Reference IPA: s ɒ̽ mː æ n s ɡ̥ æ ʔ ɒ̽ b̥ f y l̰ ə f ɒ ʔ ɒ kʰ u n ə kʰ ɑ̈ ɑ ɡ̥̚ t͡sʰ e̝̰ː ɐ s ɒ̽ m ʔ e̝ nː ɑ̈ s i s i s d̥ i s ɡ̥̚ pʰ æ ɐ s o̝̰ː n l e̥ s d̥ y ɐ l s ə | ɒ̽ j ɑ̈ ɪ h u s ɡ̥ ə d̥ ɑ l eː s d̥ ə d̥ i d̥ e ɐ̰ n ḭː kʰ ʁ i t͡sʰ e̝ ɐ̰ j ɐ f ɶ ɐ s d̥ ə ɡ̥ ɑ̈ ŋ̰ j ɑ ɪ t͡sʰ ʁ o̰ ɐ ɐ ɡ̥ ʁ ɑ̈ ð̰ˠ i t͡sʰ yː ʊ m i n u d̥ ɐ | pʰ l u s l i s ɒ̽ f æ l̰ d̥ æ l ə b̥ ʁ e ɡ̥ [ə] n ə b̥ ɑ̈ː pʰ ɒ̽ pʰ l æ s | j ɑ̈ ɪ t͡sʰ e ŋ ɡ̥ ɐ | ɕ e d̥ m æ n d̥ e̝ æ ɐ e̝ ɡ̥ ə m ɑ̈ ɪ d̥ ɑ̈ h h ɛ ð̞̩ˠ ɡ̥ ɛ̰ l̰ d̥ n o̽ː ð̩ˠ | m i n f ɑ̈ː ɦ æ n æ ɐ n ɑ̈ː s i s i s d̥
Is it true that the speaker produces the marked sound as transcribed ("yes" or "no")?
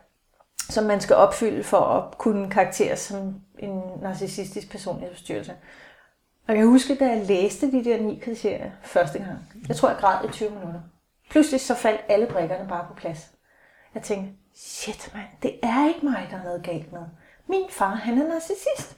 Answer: no